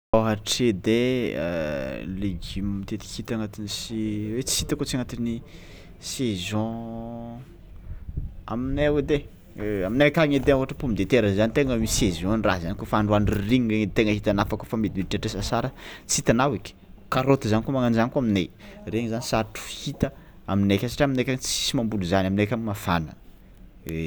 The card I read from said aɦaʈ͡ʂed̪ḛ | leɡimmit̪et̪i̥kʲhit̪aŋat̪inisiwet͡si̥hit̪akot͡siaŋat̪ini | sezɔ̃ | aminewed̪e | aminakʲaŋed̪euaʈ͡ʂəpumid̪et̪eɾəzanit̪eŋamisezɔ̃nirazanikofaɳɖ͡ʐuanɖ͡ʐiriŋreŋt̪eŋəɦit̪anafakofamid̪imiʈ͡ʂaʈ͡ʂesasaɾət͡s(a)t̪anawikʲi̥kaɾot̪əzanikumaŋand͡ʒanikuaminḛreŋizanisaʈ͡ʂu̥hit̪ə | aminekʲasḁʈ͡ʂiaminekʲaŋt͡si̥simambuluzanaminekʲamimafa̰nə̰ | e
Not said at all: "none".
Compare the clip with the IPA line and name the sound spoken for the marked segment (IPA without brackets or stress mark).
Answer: i